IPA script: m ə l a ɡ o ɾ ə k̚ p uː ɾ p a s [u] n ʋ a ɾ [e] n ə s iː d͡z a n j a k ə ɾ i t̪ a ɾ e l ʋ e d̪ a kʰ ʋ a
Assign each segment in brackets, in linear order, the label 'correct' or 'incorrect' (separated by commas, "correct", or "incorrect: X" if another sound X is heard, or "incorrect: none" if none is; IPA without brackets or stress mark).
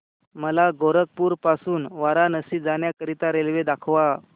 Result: incorrect: uː, incorrect: a